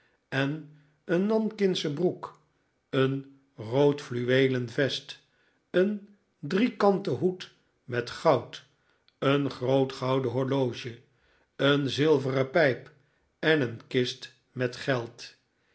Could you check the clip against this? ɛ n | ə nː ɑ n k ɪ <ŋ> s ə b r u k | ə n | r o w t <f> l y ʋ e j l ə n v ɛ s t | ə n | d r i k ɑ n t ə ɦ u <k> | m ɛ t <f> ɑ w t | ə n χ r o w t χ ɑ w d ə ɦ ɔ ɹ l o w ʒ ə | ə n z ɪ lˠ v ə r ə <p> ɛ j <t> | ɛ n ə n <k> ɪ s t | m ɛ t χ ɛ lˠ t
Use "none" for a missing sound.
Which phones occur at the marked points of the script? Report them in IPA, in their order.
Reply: n, f, t, χ, p, p, k

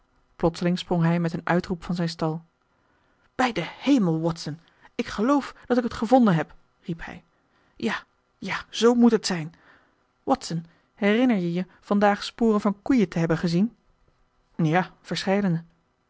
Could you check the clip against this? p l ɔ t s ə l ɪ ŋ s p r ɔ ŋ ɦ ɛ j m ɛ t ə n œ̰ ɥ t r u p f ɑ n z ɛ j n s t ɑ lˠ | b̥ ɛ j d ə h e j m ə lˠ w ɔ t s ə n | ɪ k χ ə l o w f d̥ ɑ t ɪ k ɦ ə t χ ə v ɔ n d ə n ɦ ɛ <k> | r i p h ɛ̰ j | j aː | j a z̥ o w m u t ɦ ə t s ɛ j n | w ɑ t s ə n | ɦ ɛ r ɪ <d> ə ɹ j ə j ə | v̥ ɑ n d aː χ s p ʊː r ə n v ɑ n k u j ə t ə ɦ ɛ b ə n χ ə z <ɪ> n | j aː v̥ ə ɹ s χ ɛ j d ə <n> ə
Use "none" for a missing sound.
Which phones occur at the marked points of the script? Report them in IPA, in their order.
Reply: p, n, i, n

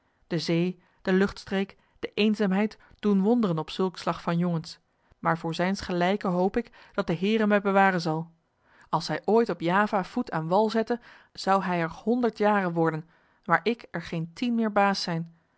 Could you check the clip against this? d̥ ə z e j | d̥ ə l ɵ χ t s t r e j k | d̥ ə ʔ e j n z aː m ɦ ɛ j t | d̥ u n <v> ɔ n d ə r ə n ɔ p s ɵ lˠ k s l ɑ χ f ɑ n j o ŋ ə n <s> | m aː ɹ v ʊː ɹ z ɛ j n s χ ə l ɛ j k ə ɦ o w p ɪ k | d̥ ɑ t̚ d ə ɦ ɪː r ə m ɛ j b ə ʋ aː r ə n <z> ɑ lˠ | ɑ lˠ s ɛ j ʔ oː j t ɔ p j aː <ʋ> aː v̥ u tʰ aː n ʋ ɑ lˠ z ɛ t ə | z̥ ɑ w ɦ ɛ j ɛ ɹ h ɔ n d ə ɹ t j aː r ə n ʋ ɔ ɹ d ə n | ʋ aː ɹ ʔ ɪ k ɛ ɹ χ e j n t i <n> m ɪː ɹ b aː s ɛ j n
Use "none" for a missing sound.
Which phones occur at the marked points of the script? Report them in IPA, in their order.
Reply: ʋ, s, z, v, n

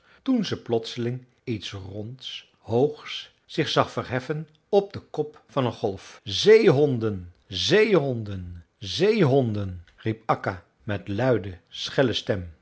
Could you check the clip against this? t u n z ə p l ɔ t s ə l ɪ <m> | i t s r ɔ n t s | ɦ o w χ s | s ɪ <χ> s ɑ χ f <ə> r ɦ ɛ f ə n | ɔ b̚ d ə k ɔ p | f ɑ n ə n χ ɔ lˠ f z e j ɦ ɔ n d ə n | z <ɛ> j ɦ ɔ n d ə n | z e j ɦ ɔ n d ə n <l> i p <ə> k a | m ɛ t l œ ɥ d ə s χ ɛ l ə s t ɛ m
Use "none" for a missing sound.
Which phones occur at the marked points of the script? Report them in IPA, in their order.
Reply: ŋ, χ, ə, e, r, ɑ

